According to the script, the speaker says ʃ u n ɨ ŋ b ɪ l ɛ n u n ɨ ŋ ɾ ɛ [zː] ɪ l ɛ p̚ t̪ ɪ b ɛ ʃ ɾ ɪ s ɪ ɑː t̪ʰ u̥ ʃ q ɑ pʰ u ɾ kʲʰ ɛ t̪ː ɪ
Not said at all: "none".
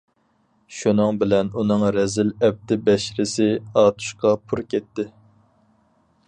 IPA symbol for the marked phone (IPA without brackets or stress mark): z